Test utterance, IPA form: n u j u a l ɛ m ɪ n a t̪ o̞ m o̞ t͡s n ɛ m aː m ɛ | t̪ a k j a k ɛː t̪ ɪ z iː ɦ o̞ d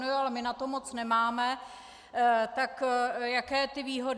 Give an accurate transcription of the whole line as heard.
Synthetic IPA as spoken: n u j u a l ɛ m ɪ n a t̪ o̞ m o̞ t͡s n ɛ m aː m ɛ | t̪ a k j a k ɛː t̪ ɪ v iː ɦ o̞ d

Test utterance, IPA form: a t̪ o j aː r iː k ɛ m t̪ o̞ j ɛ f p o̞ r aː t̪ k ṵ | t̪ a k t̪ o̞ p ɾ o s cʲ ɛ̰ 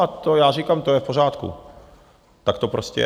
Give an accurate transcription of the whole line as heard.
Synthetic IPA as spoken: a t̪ o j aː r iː k a m t̪ o̞ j ɛ f p o̞ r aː t̪ k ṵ | t̪ a k t̪ o̞ p ɾ o s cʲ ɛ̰

